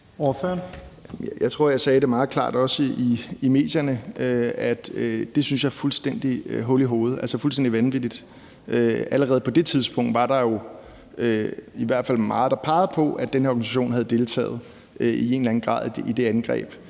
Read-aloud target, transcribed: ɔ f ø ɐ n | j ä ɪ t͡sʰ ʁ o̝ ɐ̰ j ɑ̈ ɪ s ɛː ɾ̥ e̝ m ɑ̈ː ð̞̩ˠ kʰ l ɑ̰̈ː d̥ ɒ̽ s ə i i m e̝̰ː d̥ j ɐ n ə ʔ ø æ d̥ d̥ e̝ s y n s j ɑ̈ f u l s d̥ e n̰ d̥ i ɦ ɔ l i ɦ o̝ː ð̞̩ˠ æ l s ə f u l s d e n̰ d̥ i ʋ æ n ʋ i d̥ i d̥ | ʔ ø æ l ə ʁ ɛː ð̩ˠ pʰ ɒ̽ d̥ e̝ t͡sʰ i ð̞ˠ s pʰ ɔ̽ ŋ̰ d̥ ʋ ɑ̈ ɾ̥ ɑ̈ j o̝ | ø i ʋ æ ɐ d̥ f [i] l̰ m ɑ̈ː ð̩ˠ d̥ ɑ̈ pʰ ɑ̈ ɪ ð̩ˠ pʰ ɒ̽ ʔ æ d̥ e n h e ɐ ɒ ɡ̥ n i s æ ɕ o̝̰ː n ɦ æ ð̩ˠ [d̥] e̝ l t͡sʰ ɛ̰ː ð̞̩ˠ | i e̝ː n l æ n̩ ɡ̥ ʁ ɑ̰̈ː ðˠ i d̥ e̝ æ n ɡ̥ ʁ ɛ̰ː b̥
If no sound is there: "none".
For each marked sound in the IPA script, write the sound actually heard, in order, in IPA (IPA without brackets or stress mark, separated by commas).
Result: æ, d̥